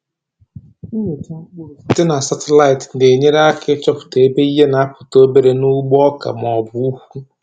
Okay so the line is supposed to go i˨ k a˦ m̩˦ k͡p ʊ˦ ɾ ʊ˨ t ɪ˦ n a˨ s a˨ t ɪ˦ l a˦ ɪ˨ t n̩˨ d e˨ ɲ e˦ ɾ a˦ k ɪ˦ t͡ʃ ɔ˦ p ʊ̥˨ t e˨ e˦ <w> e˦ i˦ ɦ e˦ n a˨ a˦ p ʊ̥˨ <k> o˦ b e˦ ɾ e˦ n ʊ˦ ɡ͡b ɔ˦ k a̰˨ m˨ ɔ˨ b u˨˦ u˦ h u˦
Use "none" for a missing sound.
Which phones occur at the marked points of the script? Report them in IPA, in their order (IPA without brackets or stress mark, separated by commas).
b, t